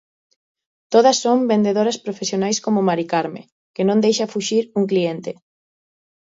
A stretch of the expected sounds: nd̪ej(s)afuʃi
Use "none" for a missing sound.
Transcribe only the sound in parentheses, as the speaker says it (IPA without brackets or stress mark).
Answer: ʃ